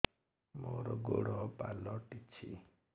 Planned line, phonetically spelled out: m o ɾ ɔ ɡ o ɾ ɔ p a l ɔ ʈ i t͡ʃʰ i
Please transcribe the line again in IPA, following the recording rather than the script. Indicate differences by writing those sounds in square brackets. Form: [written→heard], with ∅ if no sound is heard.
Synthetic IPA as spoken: m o ɾ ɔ ɡ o [ɾ→ɽ] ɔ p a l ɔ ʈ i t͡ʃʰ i